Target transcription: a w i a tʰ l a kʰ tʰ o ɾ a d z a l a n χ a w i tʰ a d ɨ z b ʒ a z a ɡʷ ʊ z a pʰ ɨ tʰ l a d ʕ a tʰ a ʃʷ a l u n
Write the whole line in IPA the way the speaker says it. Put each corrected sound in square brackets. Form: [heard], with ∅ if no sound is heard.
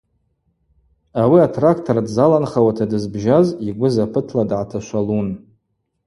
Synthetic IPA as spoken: a w i a tʰ [r] a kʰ tʰ o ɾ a d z a l a n χ a w [a] tʰ a d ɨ z b ʒ a z [i] ɡʷ ʊ z a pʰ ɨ tʰ l a d ʕ a tʰ a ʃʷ a l u n